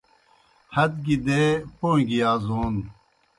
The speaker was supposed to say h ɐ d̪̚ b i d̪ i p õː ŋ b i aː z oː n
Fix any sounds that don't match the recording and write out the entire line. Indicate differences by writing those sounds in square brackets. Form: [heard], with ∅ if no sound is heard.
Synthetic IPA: h ɐ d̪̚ [ɡ] i d̪ [e] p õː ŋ [ɡ] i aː z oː n